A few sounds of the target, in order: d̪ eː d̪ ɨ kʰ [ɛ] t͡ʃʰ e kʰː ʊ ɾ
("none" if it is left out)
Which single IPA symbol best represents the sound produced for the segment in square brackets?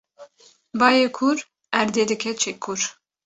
ɛ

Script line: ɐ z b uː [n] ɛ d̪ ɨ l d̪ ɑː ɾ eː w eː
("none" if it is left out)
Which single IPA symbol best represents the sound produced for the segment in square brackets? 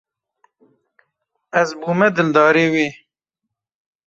m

